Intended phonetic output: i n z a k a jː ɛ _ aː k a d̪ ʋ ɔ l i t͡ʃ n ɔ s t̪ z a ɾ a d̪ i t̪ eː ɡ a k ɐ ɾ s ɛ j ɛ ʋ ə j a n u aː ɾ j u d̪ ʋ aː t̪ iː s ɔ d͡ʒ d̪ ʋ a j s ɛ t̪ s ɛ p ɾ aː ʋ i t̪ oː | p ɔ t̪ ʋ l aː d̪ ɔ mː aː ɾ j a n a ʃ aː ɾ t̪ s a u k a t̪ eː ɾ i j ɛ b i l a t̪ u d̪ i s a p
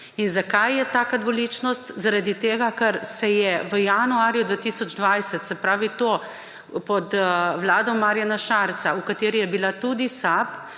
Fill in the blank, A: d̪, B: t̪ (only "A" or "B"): B